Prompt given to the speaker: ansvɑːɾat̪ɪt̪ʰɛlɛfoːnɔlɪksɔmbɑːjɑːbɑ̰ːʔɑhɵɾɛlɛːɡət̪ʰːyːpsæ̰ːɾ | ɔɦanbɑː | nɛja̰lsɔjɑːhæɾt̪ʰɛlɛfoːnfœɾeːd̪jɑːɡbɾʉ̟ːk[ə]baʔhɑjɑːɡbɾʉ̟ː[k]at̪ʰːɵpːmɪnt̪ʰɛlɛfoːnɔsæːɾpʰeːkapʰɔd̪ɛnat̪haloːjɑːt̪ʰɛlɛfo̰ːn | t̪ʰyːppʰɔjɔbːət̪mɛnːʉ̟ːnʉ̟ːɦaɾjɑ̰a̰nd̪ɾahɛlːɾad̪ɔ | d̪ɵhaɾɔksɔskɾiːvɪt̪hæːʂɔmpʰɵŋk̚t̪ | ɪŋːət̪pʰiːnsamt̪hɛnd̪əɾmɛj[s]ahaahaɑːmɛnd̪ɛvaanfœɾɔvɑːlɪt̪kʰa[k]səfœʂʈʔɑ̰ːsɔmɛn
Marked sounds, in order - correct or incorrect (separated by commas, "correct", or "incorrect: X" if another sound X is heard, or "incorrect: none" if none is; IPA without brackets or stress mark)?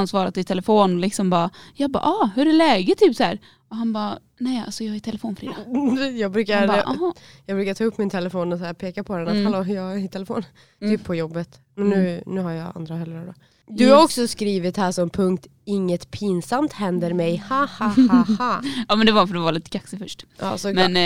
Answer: incorrect: a, correct, incorrect: h, correct